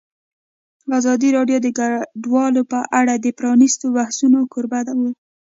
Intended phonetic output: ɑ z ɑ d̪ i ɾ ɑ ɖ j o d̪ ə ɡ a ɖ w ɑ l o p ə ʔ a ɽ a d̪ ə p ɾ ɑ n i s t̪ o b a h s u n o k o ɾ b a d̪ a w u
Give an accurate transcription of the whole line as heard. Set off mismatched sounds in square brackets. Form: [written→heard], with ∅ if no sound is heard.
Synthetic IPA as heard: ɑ z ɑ d̪ i ɾ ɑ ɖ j o d̪ ə ɡ a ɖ w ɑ l o p ə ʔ a ɽ a d̪ ə p ɾ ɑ n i s t̪ o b a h s u n o k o ɾ b a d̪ a w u